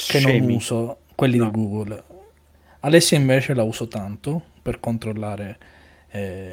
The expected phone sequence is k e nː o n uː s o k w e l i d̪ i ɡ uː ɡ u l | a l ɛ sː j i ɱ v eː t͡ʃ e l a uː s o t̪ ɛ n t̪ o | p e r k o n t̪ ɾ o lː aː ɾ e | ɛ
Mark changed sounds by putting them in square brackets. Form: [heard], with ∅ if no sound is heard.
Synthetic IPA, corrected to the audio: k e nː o n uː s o k w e [lː] i d̪ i ɡ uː ɡ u l | a l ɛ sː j i ɱ v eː t͡ʃ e l a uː s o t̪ [a] n t̪ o | p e r k o n t̪ ɾ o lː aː ɾ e | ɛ